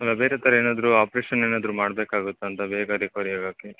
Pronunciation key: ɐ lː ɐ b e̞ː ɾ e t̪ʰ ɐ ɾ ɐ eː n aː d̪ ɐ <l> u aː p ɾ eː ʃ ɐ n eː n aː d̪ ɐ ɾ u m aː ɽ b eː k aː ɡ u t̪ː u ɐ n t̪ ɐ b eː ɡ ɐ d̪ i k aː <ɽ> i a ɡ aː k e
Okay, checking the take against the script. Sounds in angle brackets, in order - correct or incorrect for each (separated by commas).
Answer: incorrect, incorrect